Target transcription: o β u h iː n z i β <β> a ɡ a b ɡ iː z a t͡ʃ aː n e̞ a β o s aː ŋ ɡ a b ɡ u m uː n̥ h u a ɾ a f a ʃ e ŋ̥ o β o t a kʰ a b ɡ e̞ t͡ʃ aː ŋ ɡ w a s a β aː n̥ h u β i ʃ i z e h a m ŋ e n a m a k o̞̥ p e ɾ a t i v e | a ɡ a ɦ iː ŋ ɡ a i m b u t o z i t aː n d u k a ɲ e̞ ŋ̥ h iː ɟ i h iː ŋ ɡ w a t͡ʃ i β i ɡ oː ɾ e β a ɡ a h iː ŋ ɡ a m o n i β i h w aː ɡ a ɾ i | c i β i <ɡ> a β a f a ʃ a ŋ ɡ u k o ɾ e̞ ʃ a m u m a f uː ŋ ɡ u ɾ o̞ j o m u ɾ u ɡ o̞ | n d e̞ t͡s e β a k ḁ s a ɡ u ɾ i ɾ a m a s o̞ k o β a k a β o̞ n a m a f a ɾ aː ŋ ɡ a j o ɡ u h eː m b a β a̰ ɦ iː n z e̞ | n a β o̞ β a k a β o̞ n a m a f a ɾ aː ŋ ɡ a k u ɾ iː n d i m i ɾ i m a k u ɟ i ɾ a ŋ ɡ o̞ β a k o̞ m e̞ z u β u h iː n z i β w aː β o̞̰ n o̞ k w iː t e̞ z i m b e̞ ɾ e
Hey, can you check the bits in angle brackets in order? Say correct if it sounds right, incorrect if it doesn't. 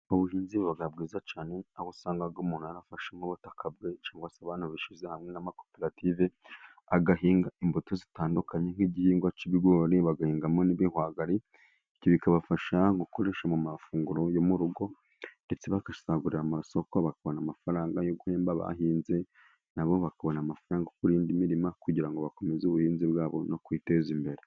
correct, incorrect

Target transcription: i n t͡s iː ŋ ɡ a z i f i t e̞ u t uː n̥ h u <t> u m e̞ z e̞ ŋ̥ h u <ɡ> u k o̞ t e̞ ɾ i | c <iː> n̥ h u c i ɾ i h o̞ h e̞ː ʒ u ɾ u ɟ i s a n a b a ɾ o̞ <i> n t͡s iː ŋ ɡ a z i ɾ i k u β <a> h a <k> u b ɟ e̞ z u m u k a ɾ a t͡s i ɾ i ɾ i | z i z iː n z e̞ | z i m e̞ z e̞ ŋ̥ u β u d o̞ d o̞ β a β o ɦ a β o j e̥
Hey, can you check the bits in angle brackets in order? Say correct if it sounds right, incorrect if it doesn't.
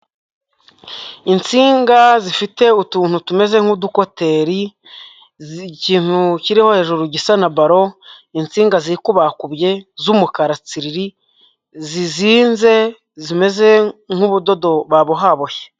correct, incorrect, correct, correct, correct, correct

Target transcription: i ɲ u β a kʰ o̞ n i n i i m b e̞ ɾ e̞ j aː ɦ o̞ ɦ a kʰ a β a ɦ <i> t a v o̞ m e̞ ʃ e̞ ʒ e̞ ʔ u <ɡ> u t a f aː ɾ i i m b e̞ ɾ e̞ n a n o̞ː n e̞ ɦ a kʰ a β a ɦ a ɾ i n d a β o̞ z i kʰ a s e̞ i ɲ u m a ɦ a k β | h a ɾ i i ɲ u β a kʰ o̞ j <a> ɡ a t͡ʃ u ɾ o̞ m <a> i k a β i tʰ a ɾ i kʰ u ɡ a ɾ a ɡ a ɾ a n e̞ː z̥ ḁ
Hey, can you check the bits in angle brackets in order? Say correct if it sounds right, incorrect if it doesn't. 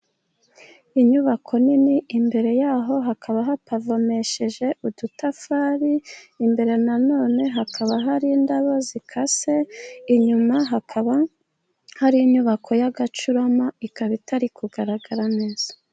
incorrect, incorrect, correct, correct

